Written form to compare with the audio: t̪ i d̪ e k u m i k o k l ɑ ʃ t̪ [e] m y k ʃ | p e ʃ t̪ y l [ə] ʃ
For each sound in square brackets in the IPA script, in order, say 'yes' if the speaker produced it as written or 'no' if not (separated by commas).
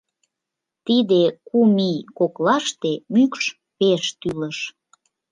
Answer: yes, yes